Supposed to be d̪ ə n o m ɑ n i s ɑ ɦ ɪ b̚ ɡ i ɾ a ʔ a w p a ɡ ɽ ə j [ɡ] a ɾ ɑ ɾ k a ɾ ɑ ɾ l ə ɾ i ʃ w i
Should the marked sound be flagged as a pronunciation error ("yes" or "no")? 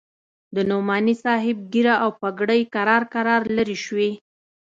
yes